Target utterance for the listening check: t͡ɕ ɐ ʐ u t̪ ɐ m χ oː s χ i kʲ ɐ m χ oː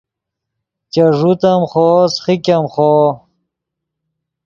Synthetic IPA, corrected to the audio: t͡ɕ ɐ ʐ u t̪ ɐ m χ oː s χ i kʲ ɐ m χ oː